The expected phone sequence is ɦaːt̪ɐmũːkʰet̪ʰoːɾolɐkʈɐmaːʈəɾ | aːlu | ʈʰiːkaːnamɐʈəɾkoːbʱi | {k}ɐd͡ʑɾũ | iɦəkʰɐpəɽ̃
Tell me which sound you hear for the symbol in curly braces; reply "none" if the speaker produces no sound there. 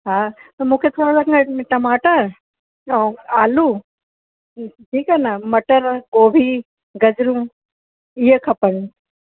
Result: ɡ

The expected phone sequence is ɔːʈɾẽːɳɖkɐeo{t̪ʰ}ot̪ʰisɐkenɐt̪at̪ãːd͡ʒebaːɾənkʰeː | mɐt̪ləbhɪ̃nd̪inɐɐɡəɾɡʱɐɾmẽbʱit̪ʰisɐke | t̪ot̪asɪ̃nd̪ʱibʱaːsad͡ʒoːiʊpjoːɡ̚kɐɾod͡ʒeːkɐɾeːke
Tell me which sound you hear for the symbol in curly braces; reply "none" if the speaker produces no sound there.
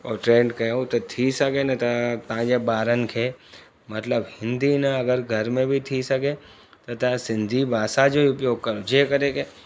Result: t̪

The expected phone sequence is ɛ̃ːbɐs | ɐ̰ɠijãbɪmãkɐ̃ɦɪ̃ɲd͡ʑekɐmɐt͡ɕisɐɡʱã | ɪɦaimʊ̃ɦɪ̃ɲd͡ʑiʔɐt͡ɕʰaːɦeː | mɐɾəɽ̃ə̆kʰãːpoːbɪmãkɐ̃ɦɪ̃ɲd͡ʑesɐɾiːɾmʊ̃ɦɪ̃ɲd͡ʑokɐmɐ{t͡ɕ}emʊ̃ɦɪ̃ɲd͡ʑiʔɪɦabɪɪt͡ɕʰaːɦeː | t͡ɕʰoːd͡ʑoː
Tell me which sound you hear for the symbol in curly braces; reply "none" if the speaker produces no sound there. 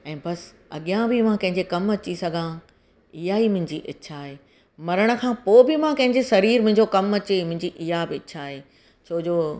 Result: t͡ɕ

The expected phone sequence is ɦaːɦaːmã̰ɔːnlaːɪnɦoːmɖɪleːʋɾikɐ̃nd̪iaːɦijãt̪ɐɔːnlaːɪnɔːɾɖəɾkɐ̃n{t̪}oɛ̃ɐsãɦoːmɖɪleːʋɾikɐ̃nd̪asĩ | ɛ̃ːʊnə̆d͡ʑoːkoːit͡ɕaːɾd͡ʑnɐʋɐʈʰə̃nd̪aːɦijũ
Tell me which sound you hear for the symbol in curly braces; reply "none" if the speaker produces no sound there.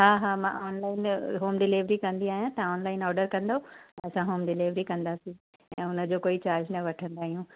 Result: d̪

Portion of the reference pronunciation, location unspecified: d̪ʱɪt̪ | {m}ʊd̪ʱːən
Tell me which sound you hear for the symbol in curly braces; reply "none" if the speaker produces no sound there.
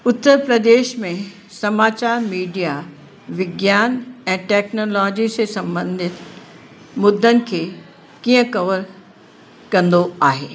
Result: m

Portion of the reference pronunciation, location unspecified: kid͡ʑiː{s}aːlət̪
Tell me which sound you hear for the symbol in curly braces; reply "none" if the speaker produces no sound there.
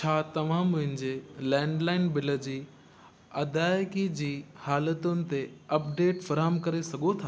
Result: h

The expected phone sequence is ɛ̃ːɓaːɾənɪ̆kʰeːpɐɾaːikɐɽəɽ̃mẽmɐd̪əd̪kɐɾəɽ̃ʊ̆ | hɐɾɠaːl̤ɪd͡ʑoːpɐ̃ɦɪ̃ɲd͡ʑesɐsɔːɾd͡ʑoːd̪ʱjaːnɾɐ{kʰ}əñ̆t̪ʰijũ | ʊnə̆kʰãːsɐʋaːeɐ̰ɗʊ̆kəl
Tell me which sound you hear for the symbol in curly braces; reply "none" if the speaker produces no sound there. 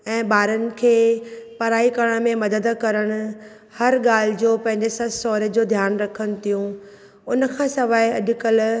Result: kʰ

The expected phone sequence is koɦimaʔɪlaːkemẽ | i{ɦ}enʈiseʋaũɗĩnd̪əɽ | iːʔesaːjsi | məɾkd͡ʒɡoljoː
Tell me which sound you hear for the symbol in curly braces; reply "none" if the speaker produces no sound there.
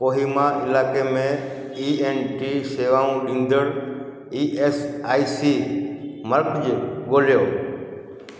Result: none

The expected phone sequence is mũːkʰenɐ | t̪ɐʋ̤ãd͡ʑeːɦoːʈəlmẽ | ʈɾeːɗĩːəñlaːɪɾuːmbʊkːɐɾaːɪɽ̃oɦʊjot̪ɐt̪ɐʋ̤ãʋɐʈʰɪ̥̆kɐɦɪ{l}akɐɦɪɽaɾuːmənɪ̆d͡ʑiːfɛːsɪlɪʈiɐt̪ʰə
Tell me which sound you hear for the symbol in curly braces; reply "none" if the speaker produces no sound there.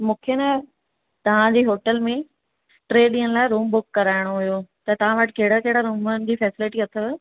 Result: ɽ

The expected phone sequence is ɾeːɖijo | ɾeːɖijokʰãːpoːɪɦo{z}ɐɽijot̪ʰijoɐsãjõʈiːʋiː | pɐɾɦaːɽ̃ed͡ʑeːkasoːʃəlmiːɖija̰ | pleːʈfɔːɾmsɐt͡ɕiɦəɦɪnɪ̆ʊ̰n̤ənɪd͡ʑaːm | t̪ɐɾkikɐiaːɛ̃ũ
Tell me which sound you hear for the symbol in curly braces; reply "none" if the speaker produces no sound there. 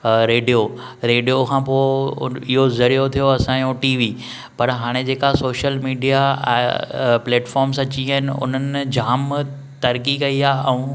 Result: z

